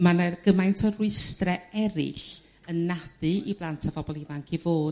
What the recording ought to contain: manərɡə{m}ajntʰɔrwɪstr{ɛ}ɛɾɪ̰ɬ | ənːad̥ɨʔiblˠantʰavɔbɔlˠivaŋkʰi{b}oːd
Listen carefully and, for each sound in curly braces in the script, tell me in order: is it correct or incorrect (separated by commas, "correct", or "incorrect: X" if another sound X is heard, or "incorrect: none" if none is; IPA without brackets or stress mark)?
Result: correct, correct, incorrect: v